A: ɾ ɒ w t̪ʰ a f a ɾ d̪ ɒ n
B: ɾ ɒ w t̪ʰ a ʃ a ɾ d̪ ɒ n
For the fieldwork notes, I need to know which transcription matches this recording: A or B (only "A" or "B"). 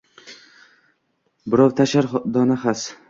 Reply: B